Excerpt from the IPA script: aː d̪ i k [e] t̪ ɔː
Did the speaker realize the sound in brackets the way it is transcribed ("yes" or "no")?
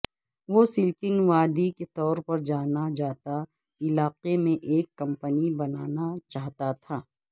yes